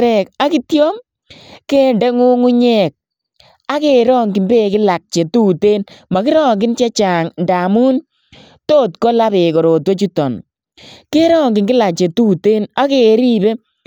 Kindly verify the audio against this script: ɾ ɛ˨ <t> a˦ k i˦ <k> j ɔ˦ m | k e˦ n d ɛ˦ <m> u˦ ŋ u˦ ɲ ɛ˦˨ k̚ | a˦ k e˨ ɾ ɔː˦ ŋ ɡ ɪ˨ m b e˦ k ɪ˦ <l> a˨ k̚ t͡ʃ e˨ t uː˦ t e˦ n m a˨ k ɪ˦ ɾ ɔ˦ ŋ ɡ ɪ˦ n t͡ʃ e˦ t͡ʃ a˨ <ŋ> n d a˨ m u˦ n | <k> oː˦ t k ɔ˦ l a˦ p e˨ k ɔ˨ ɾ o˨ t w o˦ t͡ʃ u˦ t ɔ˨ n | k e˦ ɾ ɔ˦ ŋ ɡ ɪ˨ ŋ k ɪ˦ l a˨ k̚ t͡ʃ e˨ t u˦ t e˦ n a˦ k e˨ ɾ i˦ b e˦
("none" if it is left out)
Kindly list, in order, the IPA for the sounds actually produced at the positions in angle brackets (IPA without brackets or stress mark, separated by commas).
k, t, ŋ, l, ŋ, t